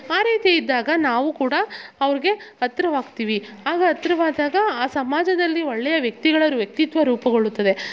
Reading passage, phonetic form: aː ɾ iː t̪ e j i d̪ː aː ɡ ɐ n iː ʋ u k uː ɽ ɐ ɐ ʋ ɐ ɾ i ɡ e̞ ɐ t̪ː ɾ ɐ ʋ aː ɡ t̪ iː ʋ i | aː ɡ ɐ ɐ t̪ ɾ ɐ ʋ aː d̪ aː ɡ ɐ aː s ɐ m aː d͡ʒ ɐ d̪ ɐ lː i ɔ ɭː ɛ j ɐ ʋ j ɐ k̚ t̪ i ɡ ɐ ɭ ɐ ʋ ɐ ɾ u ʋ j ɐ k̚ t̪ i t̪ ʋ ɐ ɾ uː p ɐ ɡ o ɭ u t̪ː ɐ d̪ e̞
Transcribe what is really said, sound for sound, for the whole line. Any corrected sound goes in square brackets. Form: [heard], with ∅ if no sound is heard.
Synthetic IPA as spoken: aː ɾ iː t̪ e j i d̪ː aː ɡ ɐ n [aː] ʋ u k uː ɽ ɐ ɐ ʋ ɐ ɾ i ɡ e̞ ɐ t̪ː ɾ ɐ ʋ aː ɡ t̪ iː ʋ i | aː ɡ ɐ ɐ t̪ ɾ ɐ ʋ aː d̪ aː ɡ ɐ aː s ɐ m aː d͡ʒ ɐ d̪ ɐ lː i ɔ ɭː ɛ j ɐ ʋ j ɐ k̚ t̪ i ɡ ɐ ɭ ɐ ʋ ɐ ɾ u ʋ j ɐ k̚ t̪ i t̪ ʋ ɐ ɾ uː p ɐ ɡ o ɭ u t̪ː ɐ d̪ e̞